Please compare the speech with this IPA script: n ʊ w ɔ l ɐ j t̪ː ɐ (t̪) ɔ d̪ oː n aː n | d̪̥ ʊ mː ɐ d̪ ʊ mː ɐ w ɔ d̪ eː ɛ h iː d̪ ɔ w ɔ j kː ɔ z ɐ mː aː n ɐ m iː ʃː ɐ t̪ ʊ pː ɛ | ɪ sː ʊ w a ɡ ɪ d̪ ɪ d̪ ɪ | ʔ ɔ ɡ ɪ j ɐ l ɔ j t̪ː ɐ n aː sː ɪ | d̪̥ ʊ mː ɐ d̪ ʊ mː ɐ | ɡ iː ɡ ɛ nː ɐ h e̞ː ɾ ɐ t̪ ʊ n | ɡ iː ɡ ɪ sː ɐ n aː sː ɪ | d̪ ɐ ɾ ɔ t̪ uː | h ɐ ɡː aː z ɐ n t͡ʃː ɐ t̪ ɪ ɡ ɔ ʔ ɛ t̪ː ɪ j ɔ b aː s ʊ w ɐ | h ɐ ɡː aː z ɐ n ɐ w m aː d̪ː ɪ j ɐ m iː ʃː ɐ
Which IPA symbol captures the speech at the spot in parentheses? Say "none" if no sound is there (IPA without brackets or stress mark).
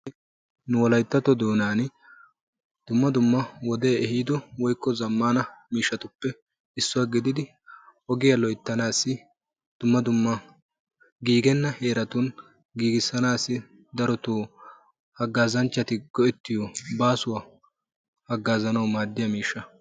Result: t̪